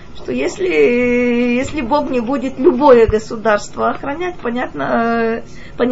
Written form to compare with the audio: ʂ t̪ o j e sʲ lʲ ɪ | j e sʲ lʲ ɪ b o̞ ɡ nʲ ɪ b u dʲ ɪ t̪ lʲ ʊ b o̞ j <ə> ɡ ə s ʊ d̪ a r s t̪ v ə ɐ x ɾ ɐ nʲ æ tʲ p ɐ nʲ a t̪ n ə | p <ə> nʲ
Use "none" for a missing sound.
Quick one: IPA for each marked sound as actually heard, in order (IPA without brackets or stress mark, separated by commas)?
ə, ɐ